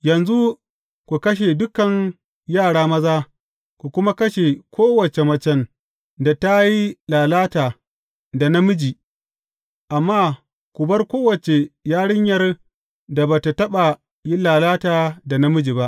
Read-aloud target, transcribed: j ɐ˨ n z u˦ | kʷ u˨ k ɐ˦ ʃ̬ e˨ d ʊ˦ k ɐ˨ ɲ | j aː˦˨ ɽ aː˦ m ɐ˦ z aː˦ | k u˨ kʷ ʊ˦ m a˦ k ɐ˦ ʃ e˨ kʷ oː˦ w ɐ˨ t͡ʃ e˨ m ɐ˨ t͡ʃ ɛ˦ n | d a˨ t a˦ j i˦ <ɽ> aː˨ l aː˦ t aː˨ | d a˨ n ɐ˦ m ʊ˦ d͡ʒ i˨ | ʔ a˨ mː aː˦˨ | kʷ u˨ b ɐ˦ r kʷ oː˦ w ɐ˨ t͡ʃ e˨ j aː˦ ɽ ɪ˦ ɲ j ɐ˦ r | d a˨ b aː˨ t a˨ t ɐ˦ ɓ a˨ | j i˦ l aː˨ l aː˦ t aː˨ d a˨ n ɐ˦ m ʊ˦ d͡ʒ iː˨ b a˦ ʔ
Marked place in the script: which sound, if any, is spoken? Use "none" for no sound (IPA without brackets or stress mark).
l